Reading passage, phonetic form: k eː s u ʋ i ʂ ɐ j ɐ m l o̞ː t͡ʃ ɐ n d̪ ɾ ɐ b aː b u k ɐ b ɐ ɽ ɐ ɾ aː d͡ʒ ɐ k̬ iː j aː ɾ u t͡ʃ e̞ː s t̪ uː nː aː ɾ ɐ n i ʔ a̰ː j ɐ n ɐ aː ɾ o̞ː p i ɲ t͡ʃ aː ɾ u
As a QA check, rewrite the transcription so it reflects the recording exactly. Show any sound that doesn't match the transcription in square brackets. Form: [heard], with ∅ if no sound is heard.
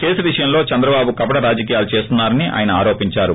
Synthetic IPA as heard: k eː s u ʋ i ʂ ɐ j ɐ m l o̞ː t͡ʃ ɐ n d̪ ɾ ɐ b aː b u k ɐ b ɐ ɽ ɐ ɾ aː d͡ʒ ɐ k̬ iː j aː [l] u t͡ʃ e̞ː s t̪ [u] nː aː ɾ ɐ n i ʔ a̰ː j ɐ n ɐ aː ɾ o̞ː p i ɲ t͡ʃ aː ɾ u